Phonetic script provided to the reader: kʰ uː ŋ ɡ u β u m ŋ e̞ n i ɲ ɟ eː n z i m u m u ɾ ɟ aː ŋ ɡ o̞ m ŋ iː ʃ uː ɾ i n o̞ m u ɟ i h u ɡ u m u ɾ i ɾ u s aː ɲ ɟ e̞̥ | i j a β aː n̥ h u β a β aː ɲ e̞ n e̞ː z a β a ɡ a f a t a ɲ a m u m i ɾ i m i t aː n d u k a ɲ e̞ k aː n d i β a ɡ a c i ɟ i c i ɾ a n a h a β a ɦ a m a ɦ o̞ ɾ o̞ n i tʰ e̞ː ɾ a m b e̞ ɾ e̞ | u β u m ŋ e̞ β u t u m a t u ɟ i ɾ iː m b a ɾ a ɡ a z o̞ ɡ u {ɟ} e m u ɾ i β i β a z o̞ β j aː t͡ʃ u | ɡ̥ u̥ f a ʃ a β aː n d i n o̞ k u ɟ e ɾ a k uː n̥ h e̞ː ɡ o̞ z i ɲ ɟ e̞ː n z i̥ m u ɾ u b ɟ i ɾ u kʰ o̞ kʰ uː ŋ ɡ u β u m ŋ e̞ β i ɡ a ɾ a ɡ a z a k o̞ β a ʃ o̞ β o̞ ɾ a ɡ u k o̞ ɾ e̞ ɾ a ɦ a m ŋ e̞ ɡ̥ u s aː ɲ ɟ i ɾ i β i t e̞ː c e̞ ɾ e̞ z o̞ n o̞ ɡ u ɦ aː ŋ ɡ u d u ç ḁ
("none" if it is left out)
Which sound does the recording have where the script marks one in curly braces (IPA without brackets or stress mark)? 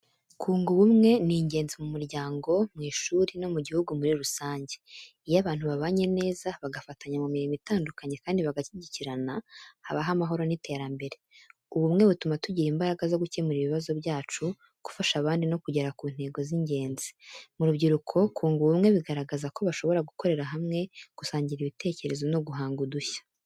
c